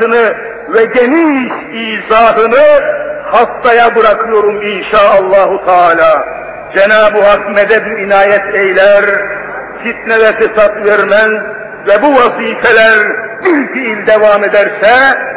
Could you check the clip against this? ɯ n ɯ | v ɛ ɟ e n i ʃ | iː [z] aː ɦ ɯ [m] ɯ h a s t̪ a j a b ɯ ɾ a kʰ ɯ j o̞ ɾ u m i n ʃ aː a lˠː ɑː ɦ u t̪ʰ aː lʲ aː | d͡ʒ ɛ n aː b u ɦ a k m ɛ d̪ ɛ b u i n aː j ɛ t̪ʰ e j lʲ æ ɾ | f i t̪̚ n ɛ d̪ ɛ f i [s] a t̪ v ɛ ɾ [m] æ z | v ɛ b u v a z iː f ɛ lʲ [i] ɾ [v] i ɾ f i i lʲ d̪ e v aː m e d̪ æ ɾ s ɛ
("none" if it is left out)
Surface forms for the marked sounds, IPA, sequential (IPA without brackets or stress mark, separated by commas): z, n, s, m, æ, b